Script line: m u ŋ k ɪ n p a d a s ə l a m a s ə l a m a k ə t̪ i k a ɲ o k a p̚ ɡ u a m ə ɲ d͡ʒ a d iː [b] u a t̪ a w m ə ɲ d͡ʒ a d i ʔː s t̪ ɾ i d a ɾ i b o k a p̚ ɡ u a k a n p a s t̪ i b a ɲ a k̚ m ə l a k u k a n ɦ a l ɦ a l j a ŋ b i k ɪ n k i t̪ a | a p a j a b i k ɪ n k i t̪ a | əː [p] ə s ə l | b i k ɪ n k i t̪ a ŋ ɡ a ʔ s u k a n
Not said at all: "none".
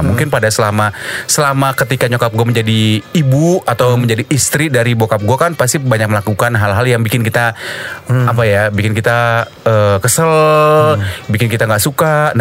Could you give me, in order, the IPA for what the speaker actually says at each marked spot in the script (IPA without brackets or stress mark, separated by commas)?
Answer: b, k